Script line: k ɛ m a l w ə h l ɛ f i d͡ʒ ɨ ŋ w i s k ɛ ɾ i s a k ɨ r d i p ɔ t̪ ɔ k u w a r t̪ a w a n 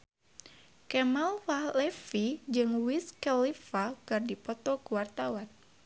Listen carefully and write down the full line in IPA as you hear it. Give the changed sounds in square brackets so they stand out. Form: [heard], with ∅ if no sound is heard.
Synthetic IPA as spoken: k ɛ m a l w [a] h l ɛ f i d͡ʒ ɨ ŋ w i s k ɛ [l] i [f] a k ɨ r d i p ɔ t̪ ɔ k u w a r t̪ a w a n